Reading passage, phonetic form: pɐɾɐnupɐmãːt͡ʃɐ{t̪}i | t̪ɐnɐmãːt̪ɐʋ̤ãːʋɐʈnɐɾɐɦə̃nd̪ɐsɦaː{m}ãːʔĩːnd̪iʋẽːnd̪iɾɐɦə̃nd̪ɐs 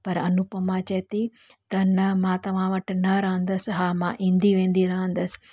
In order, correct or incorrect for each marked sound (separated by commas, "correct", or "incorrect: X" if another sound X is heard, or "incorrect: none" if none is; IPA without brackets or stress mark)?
correct, correct